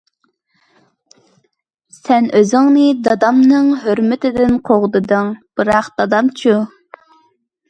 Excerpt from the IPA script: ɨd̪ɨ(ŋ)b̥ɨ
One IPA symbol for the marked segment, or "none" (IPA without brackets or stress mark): ŋ